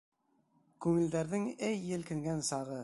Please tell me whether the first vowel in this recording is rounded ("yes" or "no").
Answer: yes